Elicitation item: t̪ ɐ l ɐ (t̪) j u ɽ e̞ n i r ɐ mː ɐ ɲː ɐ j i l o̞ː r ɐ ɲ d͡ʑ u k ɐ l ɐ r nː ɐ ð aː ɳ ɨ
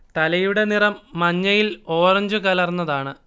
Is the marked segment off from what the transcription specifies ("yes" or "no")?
yes